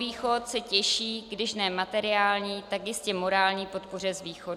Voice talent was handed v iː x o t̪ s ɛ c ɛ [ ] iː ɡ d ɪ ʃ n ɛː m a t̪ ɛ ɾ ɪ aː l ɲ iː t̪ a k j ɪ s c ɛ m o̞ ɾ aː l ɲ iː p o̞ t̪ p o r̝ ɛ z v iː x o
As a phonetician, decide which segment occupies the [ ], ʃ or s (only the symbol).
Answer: ʃ